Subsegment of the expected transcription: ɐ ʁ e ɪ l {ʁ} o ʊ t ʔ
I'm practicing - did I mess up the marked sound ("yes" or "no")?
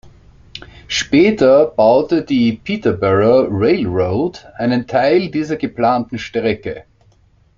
no